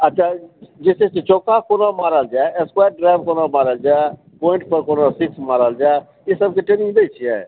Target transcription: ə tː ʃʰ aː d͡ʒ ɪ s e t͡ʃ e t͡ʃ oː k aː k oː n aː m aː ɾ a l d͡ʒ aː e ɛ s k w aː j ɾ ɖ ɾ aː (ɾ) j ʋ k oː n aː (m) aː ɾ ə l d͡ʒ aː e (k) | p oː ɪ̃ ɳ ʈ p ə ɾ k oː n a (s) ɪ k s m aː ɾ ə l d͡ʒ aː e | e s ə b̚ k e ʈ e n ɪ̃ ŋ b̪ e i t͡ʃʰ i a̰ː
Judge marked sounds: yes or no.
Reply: no, yes, no, yes

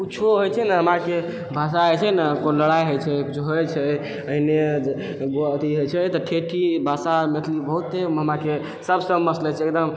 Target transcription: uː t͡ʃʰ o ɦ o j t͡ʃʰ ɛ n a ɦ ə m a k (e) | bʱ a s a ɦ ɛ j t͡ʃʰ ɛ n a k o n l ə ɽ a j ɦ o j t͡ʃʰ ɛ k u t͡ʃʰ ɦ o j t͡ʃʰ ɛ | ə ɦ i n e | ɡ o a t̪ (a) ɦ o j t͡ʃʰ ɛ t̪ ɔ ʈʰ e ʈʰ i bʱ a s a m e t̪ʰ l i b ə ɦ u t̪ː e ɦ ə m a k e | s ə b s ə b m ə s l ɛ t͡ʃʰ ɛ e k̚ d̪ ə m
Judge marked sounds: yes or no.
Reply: yes, no

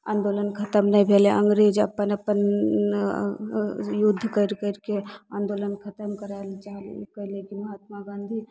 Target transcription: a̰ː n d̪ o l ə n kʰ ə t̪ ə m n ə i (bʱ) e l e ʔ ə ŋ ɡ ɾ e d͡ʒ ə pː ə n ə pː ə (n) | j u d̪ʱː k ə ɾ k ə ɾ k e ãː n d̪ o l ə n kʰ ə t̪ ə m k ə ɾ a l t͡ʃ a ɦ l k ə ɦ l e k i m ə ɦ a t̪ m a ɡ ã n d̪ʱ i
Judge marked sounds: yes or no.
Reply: yes, yes

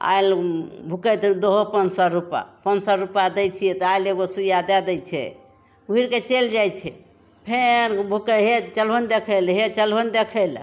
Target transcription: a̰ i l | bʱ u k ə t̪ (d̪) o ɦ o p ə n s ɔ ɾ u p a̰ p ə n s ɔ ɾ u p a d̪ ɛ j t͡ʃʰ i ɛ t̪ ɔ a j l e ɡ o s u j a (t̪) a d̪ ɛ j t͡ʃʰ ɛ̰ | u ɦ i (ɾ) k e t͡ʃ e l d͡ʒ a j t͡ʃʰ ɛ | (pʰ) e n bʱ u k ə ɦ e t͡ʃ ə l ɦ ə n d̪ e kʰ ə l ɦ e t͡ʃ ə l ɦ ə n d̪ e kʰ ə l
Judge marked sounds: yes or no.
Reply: yes, no, yes, yes

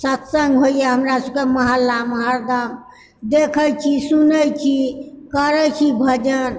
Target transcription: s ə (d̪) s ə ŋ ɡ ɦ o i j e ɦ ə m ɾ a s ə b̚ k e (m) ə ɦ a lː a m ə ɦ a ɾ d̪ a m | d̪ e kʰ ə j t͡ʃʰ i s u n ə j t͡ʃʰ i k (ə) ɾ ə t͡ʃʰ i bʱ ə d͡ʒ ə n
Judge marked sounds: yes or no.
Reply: no, yes, yes

